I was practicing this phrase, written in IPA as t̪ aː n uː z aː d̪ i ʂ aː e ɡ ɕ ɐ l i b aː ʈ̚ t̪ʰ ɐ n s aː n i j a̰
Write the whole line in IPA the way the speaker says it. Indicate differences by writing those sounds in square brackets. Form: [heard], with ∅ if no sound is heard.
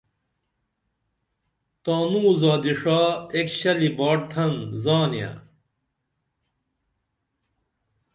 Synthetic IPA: t̪ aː n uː z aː d̪ i ʂ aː e [k] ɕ ɐ l i b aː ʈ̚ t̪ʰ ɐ n [z] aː n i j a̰